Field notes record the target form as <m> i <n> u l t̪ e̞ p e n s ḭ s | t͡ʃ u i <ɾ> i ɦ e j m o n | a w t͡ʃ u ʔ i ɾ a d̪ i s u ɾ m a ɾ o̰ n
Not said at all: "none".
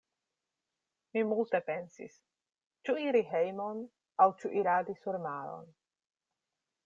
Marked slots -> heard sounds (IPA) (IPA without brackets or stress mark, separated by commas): m, m, ɾ